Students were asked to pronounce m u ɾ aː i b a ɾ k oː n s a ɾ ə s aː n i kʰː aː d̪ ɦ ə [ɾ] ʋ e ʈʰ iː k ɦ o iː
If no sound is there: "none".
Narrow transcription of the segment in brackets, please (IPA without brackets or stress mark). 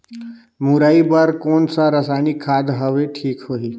none